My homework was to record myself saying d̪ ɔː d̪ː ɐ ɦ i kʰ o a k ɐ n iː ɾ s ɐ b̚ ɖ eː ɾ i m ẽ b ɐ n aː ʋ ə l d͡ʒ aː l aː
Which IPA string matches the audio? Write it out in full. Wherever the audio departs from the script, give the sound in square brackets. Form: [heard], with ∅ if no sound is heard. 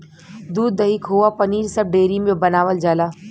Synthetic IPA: d̪ [uː] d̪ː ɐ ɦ i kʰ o a [p] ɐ n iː ɾ s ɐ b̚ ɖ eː ɾ i m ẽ b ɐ n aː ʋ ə l d͡ʒ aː l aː